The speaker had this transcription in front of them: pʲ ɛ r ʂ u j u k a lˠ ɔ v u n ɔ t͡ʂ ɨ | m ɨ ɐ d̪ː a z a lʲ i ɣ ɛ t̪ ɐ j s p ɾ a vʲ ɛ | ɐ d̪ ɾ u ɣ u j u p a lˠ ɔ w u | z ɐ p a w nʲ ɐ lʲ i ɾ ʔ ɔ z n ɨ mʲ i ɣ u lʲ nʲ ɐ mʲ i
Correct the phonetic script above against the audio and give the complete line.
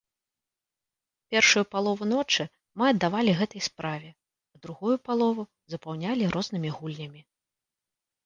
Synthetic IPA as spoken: pʲ ɛ r ʂ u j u p a lˠ ɔ v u n ɔ t͡ʂ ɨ | m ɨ ɐ d̪ː a v a lʲ i ɣ ɛ t̪ ɐ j s p ɾ a vʲ ɛ | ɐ d̪ ɾ u ɣ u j u p a lˠ ɔ v u | z ɐ p a w nʲ a lʲ i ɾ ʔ ɔ z n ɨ mʲ i ɣ u lʲ nʲ ɐ mʲ i